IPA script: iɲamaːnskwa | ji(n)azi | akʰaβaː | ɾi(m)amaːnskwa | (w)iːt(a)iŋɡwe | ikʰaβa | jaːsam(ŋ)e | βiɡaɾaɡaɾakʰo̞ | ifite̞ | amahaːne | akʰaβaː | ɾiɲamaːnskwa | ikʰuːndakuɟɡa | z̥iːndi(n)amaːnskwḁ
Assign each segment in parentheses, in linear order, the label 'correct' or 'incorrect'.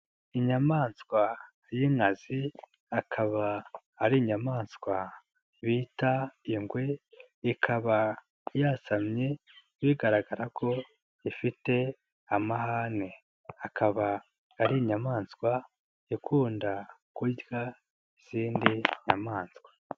incorrect: ŋ, incorrect: ɲ, incorrect: β, correct, incorrect: ɲ, incorrect: ɲ

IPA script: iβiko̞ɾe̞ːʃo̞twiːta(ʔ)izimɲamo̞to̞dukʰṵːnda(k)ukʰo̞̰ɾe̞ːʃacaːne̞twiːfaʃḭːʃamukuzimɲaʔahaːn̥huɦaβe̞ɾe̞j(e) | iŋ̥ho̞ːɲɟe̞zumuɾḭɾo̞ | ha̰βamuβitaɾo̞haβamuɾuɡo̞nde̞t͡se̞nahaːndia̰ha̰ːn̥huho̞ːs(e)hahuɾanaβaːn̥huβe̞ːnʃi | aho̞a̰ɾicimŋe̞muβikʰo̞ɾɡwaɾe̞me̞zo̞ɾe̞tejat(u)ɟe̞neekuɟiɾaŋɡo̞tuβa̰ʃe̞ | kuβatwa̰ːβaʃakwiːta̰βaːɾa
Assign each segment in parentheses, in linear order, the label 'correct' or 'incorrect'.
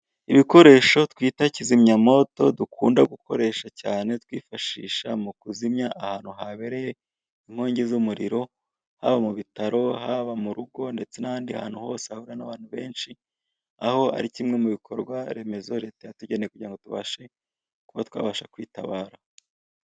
incorrect: c, incorrect: ɡ, correct, correct, correct

